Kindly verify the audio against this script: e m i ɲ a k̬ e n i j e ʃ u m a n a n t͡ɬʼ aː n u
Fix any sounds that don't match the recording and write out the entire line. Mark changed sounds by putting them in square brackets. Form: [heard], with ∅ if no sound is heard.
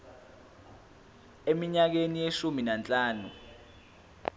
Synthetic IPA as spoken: e m i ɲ a k̬ e n i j e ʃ u m [i] n a n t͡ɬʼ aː n u